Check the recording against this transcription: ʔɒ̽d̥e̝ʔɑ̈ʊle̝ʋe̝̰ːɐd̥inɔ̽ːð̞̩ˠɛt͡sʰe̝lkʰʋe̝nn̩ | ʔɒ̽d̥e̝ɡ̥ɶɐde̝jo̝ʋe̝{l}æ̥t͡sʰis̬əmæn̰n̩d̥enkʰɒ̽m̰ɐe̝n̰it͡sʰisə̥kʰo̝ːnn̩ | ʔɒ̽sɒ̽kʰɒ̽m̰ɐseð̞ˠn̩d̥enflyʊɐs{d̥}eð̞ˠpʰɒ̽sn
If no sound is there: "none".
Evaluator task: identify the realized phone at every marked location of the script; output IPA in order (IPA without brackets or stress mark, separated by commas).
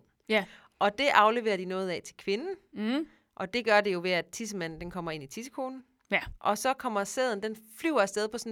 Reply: none, d̥